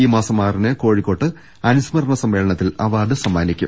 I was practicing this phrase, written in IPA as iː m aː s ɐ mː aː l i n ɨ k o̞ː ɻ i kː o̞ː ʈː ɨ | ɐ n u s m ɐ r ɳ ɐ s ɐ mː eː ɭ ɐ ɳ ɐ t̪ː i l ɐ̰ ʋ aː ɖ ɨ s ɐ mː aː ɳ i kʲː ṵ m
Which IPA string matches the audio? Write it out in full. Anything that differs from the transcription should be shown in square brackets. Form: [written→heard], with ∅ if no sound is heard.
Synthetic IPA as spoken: iː m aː s ɐ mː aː [l→r] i n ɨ k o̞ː ɻ i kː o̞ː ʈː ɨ | ɐ n u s m ɐ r ɳ ɐ s ɐ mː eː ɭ ɐ ɳ ɐ t̪ː i l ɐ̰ ʋ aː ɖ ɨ s ɐ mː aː [ɳ→n] i kʲː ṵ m

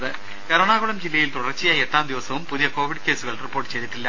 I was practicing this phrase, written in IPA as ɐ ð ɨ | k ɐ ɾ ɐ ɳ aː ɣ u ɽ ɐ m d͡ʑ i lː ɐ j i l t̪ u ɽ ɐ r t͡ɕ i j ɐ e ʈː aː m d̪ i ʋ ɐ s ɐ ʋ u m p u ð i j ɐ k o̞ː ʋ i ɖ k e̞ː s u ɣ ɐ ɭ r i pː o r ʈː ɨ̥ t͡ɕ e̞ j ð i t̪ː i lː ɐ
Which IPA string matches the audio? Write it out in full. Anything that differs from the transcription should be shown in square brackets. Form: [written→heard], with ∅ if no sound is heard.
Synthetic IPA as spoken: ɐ ð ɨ | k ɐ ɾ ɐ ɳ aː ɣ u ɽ ɐ m d͡ʑ i lː ɐ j i l t̪ u ɽ ɐ r t͡ɕ i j ɐ e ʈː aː m d̪ i ʋ ɐ s ɐ ʋ u m p u ð i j ɐ k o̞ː ʋ i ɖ k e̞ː s u ɣ ɐ ɭ r i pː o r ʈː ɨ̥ t͡ɕ e̞ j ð i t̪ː i lː ɐ

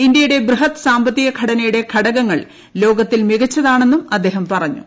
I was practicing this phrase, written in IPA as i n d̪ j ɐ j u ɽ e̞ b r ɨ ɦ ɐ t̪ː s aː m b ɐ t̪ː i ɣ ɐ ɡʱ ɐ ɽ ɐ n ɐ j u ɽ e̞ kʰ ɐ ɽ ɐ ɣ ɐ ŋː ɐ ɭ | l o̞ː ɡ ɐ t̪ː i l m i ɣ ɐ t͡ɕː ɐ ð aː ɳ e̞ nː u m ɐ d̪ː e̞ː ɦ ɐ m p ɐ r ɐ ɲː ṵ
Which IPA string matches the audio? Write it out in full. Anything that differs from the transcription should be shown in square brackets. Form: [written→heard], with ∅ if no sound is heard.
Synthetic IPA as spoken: i n d̪ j ɐ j u ɽ e̞ b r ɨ ɦ ɐ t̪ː s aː m b ɐ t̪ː i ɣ ɐ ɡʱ ɐ ɽ ɐ n ɐ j u ɽ e̞ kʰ ɐ ɽ ɐ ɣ ɐ ŋː ɐ ɭ | l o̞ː ɡ ɐ t̪ː i l m i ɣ ɐ t͡ɕː ɐ ð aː ɳ e̞ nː u m ɐ d̪ː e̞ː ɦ ɐ m p ɐ r ɐ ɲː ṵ

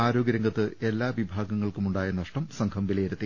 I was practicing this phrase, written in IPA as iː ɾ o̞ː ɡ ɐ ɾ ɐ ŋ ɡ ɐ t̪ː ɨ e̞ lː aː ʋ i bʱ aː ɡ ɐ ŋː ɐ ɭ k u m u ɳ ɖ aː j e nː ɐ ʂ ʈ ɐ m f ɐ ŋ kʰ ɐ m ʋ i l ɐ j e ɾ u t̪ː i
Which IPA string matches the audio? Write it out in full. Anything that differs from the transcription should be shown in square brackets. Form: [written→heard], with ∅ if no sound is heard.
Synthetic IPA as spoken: [iː→aː] ɾ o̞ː ɡ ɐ ɾ ɐ ŋ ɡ ɐ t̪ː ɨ e̞ lː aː ʋ i bʱ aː ɡ ɐ ŋː ɐ ɭ k u m u ɳ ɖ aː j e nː ɐ ʂ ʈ ɐ m [f→s] ɐ ŋ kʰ ɐ m ʋ i l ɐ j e ɾ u t̪ː i

